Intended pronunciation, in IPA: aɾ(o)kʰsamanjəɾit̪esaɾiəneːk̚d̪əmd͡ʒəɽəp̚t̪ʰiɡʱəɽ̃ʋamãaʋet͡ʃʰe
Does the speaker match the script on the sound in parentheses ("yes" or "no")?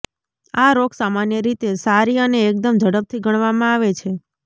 yes